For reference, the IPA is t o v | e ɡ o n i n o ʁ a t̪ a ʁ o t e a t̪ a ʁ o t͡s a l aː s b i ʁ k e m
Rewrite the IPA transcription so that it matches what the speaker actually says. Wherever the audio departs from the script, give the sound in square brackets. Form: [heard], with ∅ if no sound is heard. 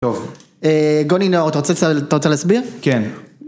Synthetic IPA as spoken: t o v | e ɡ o n i n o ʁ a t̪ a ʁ o [t͡s] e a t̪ a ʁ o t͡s [e] l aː s b i ʁ k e [n]